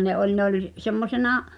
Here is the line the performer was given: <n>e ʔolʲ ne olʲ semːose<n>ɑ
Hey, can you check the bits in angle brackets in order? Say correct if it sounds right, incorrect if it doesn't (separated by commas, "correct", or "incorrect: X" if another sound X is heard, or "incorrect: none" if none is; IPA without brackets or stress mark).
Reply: correct, correct